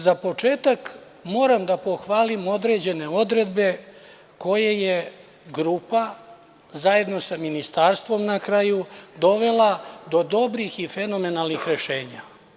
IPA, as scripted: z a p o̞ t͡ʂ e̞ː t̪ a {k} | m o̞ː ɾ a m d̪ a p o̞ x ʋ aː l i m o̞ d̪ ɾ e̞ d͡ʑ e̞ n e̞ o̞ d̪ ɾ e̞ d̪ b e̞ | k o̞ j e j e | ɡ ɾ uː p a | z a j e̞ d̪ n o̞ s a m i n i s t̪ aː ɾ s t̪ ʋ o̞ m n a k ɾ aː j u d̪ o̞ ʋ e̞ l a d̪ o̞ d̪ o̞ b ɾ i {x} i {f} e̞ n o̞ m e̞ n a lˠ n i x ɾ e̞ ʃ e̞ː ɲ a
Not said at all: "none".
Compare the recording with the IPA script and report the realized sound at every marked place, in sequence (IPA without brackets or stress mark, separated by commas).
k, x, f